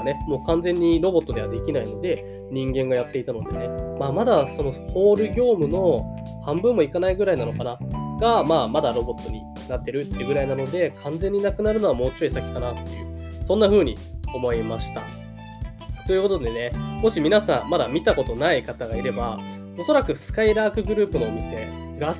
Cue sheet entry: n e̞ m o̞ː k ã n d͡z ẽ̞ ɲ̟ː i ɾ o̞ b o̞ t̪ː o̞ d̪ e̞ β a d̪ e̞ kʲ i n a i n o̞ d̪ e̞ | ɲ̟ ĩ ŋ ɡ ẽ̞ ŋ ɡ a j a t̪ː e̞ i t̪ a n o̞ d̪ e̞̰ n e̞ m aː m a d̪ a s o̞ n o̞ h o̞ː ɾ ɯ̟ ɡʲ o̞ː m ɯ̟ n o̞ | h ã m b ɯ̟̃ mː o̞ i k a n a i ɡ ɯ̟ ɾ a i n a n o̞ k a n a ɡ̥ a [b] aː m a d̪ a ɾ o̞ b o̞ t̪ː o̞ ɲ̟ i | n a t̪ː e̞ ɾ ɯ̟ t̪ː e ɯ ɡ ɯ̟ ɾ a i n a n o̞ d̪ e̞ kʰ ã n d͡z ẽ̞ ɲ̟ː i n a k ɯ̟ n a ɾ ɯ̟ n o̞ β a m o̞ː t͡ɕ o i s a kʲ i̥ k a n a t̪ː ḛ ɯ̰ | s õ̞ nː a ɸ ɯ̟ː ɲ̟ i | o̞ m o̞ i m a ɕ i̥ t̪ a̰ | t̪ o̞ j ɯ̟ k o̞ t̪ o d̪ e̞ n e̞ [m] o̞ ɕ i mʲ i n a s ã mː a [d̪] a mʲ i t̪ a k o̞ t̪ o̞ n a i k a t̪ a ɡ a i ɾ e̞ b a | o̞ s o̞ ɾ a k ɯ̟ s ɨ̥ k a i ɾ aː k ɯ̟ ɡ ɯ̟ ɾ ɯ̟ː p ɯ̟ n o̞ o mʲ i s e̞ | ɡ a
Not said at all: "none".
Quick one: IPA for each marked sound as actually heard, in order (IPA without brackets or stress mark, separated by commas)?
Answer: m, m, d̪